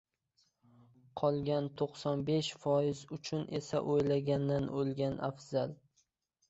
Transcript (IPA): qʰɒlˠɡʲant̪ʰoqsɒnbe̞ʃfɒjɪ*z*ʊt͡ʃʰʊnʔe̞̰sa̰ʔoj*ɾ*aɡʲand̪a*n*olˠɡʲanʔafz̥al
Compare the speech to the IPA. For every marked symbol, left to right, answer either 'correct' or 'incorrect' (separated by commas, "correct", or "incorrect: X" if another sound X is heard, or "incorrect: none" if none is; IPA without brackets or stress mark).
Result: correct, incorrect: l, correct